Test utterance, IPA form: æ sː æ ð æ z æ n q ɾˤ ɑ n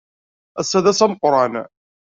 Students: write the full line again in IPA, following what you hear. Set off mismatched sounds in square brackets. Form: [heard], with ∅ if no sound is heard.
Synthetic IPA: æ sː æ ð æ [s] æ [m] q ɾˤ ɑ n